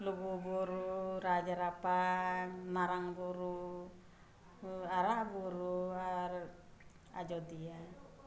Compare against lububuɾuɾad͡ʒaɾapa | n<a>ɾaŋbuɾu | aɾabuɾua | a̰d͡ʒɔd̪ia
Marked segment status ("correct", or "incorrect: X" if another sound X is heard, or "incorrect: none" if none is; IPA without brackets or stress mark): correct